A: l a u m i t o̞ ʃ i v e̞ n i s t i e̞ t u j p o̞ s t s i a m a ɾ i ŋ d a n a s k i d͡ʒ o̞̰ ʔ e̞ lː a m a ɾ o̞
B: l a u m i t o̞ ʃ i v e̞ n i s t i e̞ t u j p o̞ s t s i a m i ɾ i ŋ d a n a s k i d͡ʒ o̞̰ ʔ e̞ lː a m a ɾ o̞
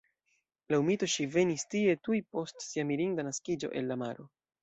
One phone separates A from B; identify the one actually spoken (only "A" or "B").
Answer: B